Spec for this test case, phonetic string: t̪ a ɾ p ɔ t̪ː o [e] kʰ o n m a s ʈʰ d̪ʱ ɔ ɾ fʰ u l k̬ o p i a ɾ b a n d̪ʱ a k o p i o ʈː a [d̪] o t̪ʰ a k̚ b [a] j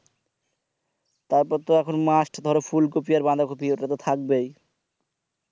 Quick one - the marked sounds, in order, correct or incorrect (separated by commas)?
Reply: incorrect, incorrect, incorrect